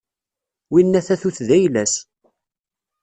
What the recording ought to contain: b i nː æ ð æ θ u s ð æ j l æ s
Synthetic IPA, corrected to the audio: w i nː æ θ æ θ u θ ð æ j l æ s